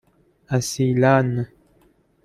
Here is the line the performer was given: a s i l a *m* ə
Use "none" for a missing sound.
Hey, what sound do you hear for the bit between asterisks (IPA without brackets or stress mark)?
n